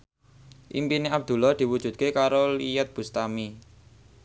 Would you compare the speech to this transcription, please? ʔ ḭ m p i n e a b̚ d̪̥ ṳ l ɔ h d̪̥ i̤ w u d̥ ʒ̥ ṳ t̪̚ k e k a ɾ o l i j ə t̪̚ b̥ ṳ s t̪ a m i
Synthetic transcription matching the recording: ʔ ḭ m p i n e a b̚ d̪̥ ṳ l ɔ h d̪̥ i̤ w u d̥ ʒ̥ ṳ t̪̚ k e k a ɾ o l i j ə t̪̚ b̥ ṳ s t̪ a m i